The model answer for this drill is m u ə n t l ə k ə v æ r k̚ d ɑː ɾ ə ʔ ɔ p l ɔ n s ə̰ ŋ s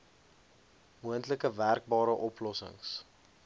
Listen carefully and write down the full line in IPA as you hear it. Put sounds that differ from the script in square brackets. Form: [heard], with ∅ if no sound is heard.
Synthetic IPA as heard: m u ə n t l ə k ə v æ r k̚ [b] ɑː ɾ ə ʔ ɔ p l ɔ [∅] s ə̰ ŋ s